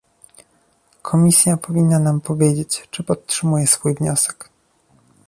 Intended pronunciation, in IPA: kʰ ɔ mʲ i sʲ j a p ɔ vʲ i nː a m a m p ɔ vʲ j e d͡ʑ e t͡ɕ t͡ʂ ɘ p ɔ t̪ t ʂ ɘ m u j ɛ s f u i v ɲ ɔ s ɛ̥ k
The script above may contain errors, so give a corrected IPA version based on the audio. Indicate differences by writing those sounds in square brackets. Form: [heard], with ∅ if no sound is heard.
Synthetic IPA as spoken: kʰ ɔ mʲ i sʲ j a p ɔ vʲ i nː a [n] a m p ɔ vʲ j e d͡ʑ e t͡ɕ t͡ʂ ɘ p ɔ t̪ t ʂ ɘ m u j ɛ s f u [j] v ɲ ɔ s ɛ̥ k